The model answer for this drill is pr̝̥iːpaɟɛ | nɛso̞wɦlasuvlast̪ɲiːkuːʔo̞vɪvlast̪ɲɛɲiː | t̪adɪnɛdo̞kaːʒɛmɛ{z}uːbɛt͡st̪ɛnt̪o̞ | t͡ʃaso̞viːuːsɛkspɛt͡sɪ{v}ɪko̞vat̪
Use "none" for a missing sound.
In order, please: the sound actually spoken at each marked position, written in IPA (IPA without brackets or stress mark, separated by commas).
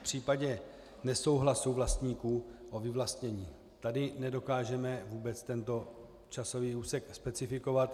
v, f